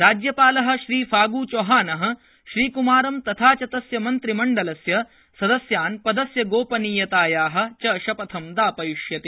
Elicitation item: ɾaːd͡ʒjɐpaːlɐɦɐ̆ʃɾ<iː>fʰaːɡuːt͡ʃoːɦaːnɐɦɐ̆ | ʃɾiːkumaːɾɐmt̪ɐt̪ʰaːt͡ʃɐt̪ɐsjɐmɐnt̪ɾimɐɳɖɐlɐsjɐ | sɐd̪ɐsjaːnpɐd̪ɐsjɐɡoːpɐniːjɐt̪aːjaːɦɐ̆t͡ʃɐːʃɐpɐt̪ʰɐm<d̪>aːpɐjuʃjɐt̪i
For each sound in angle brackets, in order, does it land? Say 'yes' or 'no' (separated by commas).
yes, yes